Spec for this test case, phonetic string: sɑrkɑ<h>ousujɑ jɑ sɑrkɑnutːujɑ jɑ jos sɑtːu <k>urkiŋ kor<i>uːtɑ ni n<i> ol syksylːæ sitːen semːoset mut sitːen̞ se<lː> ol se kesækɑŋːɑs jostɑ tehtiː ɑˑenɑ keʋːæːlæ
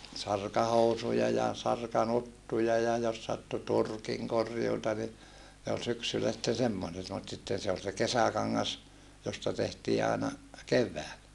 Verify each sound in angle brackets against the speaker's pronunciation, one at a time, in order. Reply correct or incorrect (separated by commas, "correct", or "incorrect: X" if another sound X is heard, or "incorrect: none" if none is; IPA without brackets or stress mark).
correct, incorrect: t, incorrect: j, incorrect: e, incorrect: none